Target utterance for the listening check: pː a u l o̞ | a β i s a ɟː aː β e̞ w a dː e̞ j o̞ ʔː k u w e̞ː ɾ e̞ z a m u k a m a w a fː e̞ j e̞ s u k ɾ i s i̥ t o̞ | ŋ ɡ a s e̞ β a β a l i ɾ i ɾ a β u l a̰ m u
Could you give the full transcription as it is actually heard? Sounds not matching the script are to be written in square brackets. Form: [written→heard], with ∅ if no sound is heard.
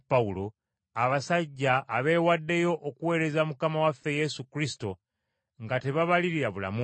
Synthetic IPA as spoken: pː a u l o̞ | a β [i→a] s a ɟː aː β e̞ w a dː e̞ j o̞ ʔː k u w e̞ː ɾ e̞ z a m u k a m a w a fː e̞ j e̞ s u k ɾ i s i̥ t o̞ | ŋ ɡ a [s→t] e̞ β a β a l i ɾ i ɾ a β u l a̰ m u